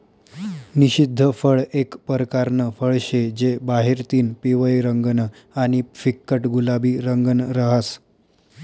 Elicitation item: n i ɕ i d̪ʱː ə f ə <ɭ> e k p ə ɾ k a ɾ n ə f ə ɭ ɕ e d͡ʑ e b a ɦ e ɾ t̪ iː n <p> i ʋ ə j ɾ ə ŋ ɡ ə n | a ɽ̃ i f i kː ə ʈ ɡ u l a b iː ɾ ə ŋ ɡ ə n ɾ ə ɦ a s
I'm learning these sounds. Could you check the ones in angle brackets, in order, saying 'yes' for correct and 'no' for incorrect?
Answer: yes, yes

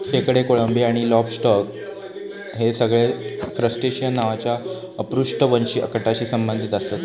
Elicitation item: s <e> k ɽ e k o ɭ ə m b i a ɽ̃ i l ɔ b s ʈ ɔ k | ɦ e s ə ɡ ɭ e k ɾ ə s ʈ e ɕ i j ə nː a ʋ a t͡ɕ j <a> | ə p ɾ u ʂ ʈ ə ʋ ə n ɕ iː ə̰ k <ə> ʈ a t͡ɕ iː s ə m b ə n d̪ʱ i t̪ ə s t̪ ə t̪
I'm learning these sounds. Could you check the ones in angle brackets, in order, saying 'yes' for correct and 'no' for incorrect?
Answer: yes, yes, yes

